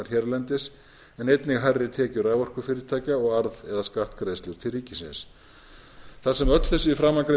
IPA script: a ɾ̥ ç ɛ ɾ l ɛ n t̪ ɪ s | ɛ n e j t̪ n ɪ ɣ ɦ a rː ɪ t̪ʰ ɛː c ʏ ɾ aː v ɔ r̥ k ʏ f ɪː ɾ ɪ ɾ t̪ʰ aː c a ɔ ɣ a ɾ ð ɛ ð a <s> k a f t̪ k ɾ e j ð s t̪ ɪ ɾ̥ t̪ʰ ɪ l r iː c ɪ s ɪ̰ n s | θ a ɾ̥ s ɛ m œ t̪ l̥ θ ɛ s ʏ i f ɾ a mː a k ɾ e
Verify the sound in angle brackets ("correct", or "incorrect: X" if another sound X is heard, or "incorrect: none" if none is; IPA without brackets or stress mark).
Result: correct